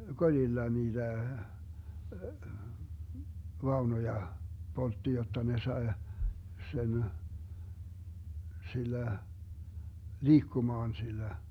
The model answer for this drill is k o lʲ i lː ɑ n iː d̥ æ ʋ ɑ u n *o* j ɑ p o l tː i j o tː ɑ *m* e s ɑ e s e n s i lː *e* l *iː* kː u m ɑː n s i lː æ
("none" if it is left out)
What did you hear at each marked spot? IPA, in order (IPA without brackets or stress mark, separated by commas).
o, n, æ, iː